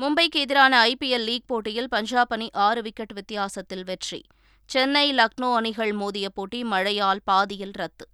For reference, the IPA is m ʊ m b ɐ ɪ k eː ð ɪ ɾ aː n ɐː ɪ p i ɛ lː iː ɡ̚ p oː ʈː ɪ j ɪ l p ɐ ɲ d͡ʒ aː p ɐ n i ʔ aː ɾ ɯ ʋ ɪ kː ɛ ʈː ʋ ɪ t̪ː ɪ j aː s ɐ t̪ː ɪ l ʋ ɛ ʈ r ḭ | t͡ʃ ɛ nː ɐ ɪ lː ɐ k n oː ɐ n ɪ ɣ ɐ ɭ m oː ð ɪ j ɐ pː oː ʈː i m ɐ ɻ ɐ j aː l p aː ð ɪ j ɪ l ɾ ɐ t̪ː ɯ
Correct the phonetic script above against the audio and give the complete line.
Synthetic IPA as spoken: m ʊ m b ɐ ɪ k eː ð ɪ ɾ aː n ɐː ɪ p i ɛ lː iː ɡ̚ p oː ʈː ɪ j ɪ l p ɐ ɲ d͡ʒ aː p ɐ n i ʔ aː ɾ ɯ ʋ ɪ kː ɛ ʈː ʋ ɪ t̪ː ɪ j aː s ɐ t̪ː ɪ l ʋ ɛ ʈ r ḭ | t͡ʃ ɛ nː ɐ ɪ l ɐ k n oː ɐ n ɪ ɣ ɐ ɭ m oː ð ɪ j ɐ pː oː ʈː i m ɐ ɻ ɐ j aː l p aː ð ɪ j ɪ l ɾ ɐ t̪ː ɯ